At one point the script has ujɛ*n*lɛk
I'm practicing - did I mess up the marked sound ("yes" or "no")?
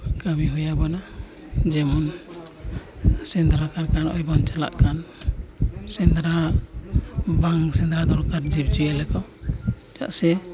yes